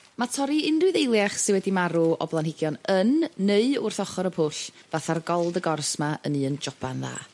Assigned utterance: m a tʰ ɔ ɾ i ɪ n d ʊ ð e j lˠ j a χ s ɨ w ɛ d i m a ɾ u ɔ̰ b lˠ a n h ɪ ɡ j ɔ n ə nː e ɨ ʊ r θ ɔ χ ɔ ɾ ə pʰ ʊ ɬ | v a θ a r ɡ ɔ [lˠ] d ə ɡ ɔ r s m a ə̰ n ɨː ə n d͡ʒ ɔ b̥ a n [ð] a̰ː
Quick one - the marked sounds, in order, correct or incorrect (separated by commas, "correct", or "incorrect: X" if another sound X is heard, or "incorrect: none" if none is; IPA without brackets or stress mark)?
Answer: correct, correct